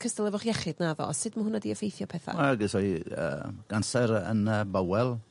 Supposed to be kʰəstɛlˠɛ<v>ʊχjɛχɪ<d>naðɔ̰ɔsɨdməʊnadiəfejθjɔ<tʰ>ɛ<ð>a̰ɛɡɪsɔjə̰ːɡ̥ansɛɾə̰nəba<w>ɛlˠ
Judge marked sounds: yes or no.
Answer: yes, yes, no, no, yes

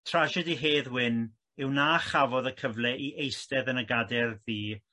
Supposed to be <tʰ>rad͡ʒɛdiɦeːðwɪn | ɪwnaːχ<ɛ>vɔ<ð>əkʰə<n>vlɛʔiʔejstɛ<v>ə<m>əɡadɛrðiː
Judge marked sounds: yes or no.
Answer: yes, no, yes, no, no, no

